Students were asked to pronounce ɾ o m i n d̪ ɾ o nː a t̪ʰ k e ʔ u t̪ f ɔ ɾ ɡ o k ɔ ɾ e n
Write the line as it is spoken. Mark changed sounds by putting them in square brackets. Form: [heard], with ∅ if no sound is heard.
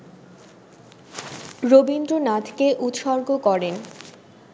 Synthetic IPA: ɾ o [b] i n d̪ ɾ o [n] a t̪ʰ k e ʔ u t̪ [ʃ] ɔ ɾ ɡ o k ɔ ɾ e n